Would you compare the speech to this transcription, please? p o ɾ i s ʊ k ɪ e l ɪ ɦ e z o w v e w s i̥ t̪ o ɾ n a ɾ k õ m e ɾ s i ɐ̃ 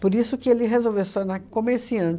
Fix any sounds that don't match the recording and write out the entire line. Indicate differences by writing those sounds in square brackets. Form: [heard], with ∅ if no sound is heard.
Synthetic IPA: p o ɾ i s ʊ k ɪ e l ɪ ɦ e z o w v e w s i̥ t̪ o ɾ n a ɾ k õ m e ɾ s i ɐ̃

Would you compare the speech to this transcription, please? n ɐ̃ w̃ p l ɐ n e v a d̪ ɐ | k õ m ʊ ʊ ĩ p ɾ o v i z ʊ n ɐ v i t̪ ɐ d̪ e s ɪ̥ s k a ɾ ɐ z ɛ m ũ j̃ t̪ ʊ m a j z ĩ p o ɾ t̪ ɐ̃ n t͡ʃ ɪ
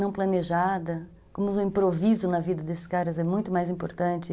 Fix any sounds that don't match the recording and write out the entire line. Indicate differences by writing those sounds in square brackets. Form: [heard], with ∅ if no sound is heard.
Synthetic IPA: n ɐ̃ w̃ p l ɐ n e [ʒ] a d̪ ɐ | k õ m ʊ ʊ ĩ p ɾ o v i z ʊ n ɐ v i [d̪] ɐ d̪ e s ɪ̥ s k a ɾ ɐ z ɛ m ũ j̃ t̪ ʊ m a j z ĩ p o ɾ t̪ ɐ̃ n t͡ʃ ɪ

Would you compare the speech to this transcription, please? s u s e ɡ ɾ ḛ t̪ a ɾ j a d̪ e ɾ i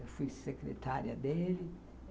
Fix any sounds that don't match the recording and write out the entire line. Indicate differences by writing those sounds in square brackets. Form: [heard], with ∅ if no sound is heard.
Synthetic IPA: [f] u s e [k] ɾ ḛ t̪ a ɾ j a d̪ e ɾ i

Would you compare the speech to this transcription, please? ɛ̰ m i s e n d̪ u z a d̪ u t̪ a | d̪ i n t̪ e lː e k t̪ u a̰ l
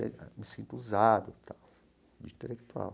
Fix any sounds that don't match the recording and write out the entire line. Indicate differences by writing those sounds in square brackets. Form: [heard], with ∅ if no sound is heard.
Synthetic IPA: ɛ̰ m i s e n [t̪] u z a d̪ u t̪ a | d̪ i n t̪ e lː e k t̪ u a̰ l

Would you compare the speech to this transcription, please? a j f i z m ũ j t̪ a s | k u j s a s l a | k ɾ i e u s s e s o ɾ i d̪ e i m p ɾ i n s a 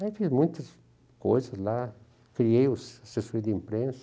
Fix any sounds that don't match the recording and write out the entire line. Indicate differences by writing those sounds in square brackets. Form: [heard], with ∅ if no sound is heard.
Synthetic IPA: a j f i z m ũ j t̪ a s | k [o] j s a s l a | k ɾ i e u s s e s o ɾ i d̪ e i m p ɾ [e] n s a

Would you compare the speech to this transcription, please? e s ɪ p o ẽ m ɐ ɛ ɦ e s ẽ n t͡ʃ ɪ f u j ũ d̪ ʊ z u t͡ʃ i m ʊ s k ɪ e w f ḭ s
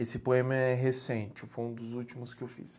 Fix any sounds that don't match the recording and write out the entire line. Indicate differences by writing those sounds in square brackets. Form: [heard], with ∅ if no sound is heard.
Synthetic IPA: e s ɪ p o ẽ m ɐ ɛ ɦ e s ẽ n t͡ʃ ɪ f [o] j ũ d̪ ʊ z u t͡ʃ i m ʊ s k ɪ e w f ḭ s

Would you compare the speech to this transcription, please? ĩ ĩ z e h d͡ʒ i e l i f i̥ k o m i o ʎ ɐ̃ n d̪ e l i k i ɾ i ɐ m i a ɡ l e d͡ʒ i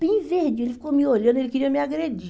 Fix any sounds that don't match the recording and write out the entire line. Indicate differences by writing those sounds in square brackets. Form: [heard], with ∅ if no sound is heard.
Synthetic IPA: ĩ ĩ [v] e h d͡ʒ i e l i f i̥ k o m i o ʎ ɐ̃ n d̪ e l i k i ɾ i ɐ m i a ɡ [ɾ] e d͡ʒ i

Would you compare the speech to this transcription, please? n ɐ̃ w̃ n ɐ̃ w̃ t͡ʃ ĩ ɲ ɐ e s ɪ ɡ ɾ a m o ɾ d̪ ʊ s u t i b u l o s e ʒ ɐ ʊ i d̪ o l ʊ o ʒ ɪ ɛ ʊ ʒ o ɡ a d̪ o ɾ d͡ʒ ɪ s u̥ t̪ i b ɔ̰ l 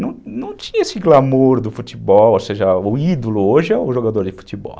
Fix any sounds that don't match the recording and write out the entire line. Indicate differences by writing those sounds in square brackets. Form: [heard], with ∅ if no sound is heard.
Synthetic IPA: n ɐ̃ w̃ n ɐ̃ w̃ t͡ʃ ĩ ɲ ɐ e s ɪ ɡ [l] a m o ɾ d̪ ʊ [f] u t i b [ɔ] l o s e ʒ ɐ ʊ i d̪ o l ʊ o ʒ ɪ ɛ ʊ ʒ o ɡ a d̪ o ɾ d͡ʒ ɪ [f] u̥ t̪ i b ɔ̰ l

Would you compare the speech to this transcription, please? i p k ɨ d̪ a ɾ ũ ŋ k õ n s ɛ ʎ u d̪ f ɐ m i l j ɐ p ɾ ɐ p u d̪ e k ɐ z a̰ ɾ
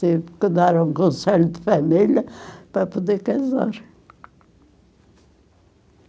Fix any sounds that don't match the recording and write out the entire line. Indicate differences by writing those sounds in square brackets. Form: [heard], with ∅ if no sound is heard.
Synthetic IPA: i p k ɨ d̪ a ɾ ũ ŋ k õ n s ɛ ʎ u d̪ f ɐ m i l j ɐ p ɾ ɐ p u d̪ e k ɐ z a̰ ɾ

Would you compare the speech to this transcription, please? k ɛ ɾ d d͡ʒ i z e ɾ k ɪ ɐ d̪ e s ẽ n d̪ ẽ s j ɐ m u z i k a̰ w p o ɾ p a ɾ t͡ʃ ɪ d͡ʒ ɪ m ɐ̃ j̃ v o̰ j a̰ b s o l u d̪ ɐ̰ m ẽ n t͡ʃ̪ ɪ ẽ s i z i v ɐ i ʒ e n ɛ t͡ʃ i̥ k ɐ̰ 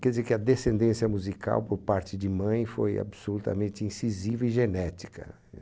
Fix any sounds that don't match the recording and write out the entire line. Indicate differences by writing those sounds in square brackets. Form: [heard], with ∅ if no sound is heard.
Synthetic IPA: k ɛ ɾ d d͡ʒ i z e ɾ k ɪ ɐ d̪ e s ẽ n d̪ ẽ s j ɐ m u z i k a̰ w p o ɾ p a ɾ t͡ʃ ɪ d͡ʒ ɪ m ɐ̃ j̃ [f] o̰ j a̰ b s o l u [t̪] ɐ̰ m ẽ n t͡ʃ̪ ɪ [ĩ] s i z i v ɐ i ʒ e n ɛ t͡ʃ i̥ k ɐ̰

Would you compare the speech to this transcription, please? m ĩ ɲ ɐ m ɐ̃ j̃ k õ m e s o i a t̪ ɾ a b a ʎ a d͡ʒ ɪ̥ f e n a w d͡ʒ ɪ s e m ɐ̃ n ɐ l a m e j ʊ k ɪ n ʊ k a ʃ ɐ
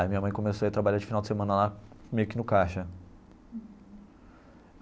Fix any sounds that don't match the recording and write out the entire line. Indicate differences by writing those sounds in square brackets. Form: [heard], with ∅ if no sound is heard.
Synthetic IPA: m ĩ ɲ ɐ m ɐ̃ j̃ k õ m e s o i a t̪ ɾ a b a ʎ a d͡ʒ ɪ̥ f [i] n a w d͡ʒ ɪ s e m ɐ̃ n ɐ l a m e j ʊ k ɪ n ʊ k a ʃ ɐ

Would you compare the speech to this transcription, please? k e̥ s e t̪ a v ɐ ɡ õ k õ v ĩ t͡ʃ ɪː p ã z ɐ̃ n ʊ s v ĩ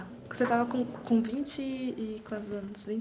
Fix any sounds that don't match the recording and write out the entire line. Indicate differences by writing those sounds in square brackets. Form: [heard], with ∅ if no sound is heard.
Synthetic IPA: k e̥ s e t̪ a v ɐ [k] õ k õ v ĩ t͡ʃ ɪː [k] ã z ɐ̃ n ʊ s v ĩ

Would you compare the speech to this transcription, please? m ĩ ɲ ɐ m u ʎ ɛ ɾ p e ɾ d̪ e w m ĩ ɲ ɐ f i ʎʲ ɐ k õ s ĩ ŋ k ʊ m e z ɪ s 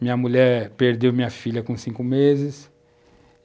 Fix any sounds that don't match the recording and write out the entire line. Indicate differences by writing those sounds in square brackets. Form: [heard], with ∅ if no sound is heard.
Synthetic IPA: m ĩ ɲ ɐ m u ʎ ɛ ɾ p e ɾ d̪ e w m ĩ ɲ ɐ f i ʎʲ ɐ k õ s ĩ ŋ k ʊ m e z ɪ s

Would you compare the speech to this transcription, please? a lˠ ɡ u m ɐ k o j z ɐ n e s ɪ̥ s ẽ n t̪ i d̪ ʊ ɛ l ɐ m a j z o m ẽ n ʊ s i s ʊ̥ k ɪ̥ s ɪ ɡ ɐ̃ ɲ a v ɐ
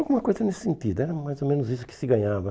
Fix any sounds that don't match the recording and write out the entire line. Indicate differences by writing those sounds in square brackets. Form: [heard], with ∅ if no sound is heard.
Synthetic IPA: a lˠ ɡ u m ɐ k o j z ɐ n e s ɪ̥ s ẽ n t̪ i d̪ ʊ ɛ [ɾ] ɐ m a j z o m ẽ n ʊ [z] i s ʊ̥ k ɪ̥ s ɪ ɡ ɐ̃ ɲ a v ɐ

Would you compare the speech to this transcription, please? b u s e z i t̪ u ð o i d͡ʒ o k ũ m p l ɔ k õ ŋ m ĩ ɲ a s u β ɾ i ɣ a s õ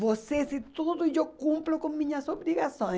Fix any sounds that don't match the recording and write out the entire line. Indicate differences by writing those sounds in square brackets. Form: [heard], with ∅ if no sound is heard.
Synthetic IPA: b [o] s e [s] i t̪ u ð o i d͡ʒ o k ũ m p l [o] k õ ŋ m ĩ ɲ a s [o] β ɾ i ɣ a s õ

